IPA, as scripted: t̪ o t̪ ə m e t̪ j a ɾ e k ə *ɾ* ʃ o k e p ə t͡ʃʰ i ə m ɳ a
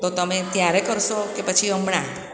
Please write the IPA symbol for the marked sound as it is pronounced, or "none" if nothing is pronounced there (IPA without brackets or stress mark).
ɾ